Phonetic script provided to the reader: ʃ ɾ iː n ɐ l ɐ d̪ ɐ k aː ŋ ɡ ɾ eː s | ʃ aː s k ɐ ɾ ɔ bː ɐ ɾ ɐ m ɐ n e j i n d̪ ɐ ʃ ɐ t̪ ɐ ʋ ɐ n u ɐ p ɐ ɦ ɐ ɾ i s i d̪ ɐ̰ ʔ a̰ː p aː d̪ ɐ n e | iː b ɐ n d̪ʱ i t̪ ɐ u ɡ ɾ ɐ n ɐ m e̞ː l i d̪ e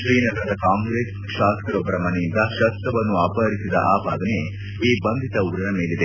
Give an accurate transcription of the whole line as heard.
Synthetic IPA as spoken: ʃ ɾ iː n ɐ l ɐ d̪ ɐ k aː ŋ ɡ ɾ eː s | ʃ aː s k ɐ ɾ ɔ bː ɐ ɾ ɐ m ɐ n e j i n d̪ ɐ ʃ ɐ t̪ ɐ ʋ ɐ nː u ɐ p ɐ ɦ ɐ ɾ i s i d̪ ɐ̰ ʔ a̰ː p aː d̪ ɐ n e | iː b ɐ n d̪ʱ i t̪ ɐ u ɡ ɾ ɐ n ɐ m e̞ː l i d̪ e